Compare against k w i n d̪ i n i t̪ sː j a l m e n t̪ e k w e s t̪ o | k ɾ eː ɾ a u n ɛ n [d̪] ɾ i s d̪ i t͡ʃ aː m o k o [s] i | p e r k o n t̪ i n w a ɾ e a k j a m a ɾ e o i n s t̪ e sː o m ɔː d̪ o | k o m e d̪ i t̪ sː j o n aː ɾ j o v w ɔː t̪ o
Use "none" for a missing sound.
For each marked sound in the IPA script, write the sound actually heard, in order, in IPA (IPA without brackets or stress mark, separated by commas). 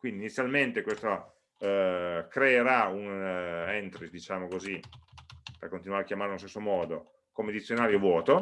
t̪, z